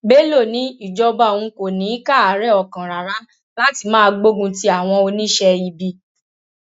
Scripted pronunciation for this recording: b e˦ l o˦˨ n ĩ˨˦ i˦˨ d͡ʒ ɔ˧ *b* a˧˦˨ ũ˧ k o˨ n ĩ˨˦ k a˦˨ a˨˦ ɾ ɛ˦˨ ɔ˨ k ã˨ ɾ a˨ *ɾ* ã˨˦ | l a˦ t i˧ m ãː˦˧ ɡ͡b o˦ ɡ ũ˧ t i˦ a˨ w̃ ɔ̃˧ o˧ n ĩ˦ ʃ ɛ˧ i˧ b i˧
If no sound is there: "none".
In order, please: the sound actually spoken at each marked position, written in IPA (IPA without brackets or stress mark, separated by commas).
b, ɾ